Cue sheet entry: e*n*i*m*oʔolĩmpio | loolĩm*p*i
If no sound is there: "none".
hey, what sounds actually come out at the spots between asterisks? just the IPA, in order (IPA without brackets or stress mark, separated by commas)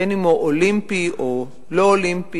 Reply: n, m, p